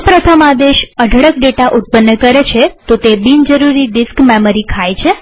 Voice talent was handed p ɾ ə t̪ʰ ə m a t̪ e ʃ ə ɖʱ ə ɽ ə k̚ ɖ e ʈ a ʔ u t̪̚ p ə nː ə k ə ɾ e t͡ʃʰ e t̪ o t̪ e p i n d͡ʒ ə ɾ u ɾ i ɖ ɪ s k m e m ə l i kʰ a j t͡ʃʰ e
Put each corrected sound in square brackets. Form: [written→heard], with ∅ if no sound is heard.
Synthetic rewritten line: p ɾ ə t̪ʰ ə m a [t̪→d̪] e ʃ ə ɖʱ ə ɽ ə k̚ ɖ e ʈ a ʔ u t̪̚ p ə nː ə k ə ɾ e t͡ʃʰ e t̪ o t̪ e [p→b] i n d͡ʒ ə ɾ u ɾ i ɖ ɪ s k m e m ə [l→ɾ] i kʰ a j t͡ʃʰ e

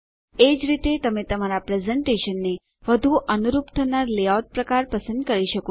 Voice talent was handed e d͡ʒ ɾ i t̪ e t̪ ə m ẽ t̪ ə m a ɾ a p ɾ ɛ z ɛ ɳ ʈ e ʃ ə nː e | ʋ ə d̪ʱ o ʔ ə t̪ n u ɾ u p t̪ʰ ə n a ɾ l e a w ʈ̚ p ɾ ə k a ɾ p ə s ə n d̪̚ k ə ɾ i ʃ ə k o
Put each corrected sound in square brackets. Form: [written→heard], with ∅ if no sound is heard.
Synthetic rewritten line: e d͡ʒ ɾ i t̪ e t̪ ə m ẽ t̪ ə m a ɾ a p ɾ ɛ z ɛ ɳ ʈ e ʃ ə nː e | ʋ ə d̪ʱ [o→u] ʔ ə [t̪→∅] n u ɾ u p t̪ʰ ə n a ɾ l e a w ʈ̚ p ɾ ə k a ɾ p ə s ə n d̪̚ k ə ɾ i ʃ ə k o

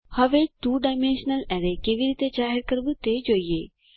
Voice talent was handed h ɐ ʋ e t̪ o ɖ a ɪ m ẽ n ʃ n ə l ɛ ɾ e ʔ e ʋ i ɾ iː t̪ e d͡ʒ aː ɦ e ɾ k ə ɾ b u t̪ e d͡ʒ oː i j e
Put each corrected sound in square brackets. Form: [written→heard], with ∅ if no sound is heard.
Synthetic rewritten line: h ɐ ʋ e t̪ [o→u] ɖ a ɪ m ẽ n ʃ n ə l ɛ ɾ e [ʔ→k] e ʋ i ɾ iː t̪ e d͡ʒ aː ɦ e ɾ k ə ɾ b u t̪ e d͡ʒ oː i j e

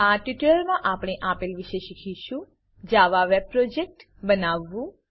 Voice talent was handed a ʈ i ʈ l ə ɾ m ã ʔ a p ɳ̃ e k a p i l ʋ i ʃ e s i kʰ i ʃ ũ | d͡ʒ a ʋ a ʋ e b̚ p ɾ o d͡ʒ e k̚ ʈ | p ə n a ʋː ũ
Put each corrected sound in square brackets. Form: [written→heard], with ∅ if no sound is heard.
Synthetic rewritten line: a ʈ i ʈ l ə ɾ m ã ʔ a p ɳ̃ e [k→ʔ] a p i l ʋ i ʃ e [s→ʃ] i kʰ i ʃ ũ | d͡ʒ a ʋ a ʋ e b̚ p ɾ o d͡ʒ e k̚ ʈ | [p→b] ə n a ʋː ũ

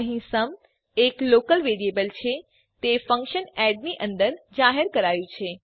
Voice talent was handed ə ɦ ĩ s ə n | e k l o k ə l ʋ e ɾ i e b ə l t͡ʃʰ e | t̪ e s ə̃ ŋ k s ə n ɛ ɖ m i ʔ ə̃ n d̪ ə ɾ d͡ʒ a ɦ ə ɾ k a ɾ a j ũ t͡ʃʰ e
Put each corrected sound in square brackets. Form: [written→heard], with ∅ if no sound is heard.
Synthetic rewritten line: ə ɦ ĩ s ə [n→m] | e k l o k ə l ʋ e ɾ i e b ə l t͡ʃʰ e | t̪ e [s→f] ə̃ ŋ k [s→ʃ] ə n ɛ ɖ [m→n] i ʔ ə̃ n d̪ ə ɾ d͡ʒ a ɦ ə ɾ k [a→ə] ɾ a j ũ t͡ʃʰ e

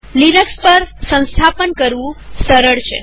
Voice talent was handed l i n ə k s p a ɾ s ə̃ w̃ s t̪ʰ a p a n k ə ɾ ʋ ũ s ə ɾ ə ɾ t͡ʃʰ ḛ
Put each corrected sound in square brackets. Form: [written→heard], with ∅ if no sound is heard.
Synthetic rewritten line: l i n ə k s p [a→ə] ɾ s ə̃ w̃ s t̪ʰ a p [a→ə] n k ə ɾ ʋ ũ s ə ɾ ə [ɾ→ɭ] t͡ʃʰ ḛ

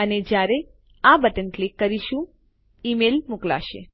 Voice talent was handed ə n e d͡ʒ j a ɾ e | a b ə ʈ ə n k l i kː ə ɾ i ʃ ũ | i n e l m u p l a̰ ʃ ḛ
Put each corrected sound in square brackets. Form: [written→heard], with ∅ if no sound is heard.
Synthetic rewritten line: ə n e d͡ʒ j a ɾ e | a b ə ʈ ə n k l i kː ə ɾ i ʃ ũ | i [n→m] e l m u [p→k] l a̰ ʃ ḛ

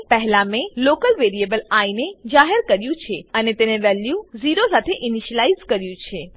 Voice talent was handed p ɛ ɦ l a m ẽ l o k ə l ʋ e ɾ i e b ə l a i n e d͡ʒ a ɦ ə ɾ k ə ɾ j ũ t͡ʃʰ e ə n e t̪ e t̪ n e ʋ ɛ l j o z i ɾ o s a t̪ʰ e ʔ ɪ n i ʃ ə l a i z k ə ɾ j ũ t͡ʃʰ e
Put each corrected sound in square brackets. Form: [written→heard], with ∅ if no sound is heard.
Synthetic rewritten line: p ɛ ɦ l a m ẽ l o k ə l ʋ e ɾ i e b ə l a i n e d͡ʒ a ɦ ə ɾ k ə ɾ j ũ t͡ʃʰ e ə n e t̪ e [t̪→∅] n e ʋ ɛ l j [o→u] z i ɾ o s a t̪ʰ e ʔ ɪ n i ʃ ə l a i z k ə ɾ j ũ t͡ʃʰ e

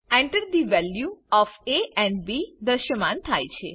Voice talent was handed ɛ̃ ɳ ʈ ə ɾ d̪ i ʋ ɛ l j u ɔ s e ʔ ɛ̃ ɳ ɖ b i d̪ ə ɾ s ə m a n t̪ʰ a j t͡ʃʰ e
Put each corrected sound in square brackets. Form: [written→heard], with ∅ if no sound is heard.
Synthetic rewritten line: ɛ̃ ɳ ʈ ə ɾ d̪ i ʋ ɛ l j u ɔ [s→f] e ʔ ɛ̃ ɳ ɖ b i d̪ ə ɾ [s→ʃ] ə m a n t̪ʰ a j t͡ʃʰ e

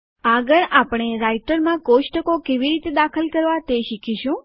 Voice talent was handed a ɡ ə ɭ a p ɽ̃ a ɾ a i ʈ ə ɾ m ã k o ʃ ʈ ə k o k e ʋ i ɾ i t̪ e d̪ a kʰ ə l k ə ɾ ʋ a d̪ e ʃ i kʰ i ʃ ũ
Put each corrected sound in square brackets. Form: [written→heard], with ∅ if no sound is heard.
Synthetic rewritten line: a ɡ ə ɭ a p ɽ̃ [a→e] ɾ a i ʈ ə ɾ m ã k o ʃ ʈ ə k o k e ʋ i ɾ i t̪ e d̪ a kʰ ə l k ə ɾ ʋ a [d̪→t̪] e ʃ i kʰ i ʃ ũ

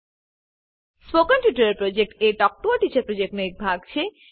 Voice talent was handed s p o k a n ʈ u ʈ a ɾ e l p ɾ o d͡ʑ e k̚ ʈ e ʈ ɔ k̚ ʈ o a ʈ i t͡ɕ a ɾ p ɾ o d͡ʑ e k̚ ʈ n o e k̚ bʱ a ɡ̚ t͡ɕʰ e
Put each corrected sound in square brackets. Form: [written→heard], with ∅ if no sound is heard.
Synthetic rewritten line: s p o k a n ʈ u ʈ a ɾ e [l→ɾ] p ɾ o d͡ʑ e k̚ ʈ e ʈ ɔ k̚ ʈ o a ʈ i t͡ɕ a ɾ p ɾ o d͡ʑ e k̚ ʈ n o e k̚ bʱ a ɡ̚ t͡ɕʰ e

